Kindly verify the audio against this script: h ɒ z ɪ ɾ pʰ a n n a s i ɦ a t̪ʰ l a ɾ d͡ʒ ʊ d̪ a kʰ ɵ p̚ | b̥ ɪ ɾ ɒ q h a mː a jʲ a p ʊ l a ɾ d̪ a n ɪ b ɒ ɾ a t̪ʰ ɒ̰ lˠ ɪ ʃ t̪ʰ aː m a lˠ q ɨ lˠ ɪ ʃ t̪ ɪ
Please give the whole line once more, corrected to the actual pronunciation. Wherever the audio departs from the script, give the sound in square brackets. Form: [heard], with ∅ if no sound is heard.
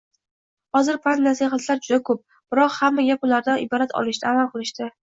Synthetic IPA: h ɒ z ɪ ɾ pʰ a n n a s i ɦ a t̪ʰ l a ɾ d͡ʒ ʊ d̪ a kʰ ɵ p̚ | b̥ ɪ ɾ ɒ q h a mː a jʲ a p ʊ l a ɾ d̪ a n ɪ b ɒ ɾ a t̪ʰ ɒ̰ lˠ ɪ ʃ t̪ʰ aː m a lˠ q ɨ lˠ ɪ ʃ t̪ ɪ